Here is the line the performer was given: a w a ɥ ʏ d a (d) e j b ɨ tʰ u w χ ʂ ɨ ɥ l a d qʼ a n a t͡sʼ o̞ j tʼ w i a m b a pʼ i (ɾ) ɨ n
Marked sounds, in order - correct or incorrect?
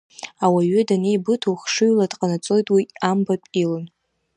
incorrect: n, incorrect: l

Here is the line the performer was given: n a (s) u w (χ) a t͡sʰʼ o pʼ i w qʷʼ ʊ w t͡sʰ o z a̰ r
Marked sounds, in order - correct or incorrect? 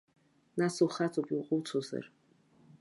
correct, correct

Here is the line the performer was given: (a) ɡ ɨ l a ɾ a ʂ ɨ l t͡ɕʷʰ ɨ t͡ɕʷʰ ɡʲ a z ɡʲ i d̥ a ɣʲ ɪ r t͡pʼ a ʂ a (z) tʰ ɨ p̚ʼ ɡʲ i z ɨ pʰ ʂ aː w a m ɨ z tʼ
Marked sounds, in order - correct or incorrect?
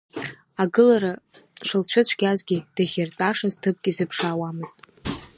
correct, correct

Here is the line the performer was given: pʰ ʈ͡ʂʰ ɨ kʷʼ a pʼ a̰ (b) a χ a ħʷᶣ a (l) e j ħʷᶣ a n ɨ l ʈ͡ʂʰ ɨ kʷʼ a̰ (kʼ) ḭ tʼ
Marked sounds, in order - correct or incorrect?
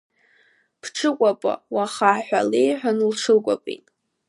incorrect: w, correct, incorrect: pʼ

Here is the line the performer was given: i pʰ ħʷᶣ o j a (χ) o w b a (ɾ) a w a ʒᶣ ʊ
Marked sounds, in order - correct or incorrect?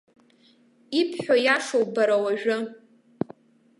incorrect: ʂ, correct

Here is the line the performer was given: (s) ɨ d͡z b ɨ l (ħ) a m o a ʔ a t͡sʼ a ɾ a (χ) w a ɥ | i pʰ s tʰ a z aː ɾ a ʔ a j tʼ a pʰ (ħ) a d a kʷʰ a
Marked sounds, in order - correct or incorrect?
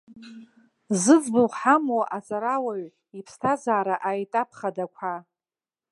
incorrect: z, correct, incorrect: none, incorrect: χ

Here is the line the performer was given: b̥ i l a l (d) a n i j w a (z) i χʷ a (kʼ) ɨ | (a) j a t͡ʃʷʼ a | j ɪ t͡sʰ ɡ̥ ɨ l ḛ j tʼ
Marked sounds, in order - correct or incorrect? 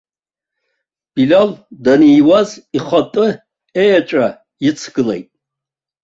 correct, correct, incorrect: tʼ, incorrect: e

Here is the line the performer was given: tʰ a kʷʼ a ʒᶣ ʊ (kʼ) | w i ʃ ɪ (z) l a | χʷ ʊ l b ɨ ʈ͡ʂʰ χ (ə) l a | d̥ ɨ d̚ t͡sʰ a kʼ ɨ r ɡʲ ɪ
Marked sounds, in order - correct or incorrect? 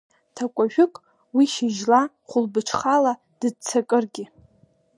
correct, incorrect: ʒ, incorrect: a

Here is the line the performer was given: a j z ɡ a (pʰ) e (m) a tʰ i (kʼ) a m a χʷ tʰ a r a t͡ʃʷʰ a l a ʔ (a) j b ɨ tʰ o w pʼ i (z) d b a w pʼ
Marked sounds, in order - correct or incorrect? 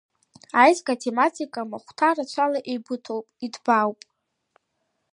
incorrect: tʰ, correct, correct, incorrect: e, incorrect: none

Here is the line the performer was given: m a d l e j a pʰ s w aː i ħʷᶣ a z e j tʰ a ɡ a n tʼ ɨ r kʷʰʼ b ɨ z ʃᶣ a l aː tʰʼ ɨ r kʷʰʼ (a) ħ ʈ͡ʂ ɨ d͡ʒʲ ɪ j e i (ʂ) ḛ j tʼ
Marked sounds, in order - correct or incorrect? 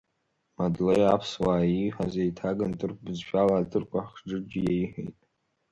correct, incorrect: ħ

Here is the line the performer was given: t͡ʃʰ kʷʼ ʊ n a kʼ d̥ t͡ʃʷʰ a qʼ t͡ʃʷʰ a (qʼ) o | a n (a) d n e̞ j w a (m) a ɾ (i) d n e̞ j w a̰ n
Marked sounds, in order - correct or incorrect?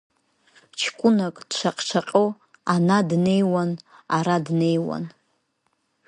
correct, correct, incorrect: n, incorrect: a

